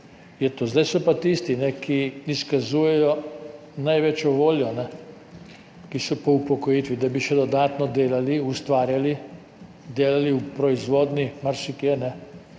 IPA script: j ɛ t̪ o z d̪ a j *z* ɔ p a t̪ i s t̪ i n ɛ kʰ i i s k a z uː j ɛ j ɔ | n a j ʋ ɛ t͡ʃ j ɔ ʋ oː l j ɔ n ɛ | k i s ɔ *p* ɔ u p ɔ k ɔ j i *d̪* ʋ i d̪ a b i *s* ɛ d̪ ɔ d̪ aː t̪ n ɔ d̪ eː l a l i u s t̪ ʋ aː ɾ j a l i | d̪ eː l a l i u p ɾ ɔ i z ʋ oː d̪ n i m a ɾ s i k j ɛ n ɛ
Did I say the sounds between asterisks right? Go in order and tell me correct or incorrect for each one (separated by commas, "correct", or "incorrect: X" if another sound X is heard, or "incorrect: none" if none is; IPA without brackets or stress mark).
incorrect: s, correct, incorrect: t̪, incorrect: ʃ